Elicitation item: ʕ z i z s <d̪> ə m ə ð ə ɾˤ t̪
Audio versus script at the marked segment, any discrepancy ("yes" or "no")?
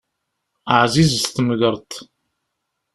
yes